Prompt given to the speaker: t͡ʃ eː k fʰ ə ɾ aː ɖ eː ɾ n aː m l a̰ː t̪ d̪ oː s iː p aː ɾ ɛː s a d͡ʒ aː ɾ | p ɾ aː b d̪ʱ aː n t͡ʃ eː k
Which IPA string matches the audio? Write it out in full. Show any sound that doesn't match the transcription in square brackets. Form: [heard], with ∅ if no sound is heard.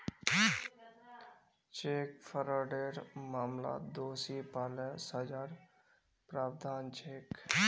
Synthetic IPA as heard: t͡ʃ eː k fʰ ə ɾ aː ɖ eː ɾ [m] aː m l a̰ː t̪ d̪ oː s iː p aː [l] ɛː s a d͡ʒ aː ɾ | p ɾ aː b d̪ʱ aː n t͡ʃ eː k